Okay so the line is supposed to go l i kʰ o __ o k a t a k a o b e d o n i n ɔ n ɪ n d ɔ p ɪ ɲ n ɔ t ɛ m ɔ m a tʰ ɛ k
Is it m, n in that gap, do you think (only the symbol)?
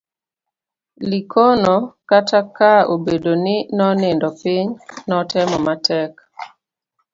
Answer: n